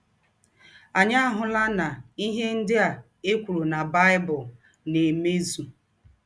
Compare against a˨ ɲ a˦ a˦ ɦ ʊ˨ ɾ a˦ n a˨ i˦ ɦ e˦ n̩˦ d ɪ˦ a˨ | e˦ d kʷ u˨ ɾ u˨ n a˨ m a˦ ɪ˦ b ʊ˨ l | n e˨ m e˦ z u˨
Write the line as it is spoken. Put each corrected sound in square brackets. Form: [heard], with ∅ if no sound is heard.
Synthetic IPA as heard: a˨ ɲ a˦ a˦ ɦ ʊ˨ [l] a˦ n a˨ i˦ ɦ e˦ n̩˦ d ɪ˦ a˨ | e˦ [∅] kʷ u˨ ɾ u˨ n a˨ [b] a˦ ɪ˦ b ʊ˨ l | n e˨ m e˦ z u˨